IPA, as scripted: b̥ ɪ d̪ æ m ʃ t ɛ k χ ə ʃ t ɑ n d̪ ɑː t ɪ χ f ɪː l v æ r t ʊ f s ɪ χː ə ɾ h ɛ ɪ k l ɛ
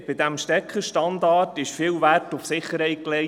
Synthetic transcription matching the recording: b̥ ɪ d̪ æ m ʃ t ɛ k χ ə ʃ t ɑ n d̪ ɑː t ɪ ʃ f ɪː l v æ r t ʊ f s ɪ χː ə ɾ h ɛ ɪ k l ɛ